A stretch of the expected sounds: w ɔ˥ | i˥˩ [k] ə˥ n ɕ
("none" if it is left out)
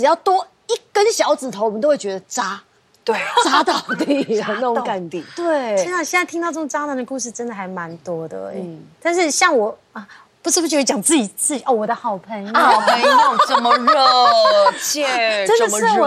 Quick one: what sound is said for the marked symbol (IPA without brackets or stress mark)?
k